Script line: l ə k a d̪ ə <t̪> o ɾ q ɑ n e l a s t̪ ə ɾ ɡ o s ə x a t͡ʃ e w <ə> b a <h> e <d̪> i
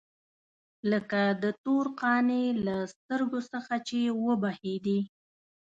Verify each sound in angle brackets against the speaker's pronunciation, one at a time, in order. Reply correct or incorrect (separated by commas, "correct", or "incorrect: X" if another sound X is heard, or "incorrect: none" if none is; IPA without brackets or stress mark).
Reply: correct, correct, correct, correct